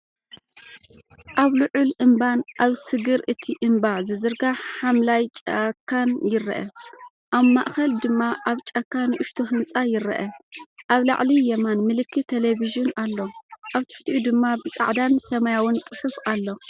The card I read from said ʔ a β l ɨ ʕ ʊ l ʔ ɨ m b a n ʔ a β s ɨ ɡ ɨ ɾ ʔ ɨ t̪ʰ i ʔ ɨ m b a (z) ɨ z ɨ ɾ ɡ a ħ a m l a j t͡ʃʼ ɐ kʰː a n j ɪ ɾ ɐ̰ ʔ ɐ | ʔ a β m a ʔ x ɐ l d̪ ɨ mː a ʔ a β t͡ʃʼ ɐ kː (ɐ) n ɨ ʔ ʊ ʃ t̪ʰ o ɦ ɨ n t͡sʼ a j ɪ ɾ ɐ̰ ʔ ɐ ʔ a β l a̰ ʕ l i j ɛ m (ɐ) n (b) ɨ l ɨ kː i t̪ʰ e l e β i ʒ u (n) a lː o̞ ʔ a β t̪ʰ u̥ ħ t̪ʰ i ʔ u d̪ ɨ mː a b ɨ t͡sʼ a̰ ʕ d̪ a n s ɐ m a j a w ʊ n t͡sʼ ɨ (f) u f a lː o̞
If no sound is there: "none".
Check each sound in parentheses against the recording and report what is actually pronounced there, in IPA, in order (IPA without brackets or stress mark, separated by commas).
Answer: z, a, a, m, n, ħ